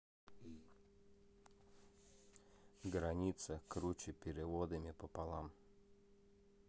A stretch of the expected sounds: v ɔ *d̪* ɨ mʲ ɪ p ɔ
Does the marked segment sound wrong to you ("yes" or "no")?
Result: no